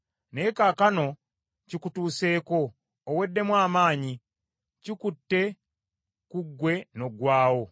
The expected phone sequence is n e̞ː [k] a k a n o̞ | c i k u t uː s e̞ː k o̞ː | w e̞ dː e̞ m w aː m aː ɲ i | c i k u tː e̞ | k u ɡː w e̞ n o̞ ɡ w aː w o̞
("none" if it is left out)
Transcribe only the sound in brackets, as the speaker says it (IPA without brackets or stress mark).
k